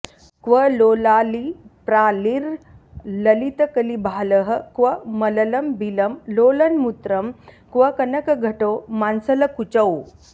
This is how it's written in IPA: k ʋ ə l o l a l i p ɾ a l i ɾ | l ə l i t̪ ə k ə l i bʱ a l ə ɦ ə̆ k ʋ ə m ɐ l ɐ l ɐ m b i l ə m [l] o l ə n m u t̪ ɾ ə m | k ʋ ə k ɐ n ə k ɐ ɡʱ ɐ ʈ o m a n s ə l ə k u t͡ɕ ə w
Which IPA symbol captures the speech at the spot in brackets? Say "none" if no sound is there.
l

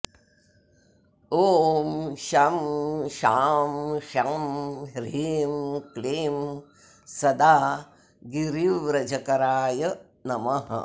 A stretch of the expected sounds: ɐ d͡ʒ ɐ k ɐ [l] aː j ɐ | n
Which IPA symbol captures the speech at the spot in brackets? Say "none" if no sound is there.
ɾ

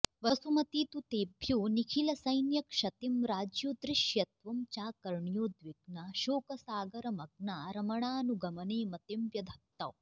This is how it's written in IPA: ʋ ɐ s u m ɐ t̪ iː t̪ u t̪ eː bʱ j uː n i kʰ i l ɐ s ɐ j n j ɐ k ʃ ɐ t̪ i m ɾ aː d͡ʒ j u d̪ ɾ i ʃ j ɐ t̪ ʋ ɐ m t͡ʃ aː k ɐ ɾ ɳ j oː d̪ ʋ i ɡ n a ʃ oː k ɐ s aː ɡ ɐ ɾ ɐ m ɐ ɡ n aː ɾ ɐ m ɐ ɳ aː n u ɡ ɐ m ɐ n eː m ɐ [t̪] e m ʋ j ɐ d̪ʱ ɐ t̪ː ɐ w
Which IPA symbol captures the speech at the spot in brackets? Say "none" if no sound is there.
t̪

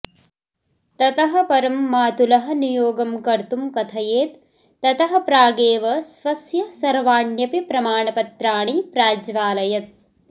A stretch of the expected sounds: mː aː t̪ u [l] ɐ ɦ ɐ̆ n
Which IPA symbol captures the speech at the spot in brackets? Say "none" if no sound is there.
l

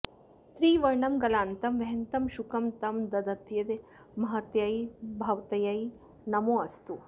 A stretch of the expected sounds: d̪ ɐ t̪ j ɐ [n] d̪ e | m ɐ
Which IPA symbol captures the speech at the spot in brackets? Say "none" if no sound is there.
none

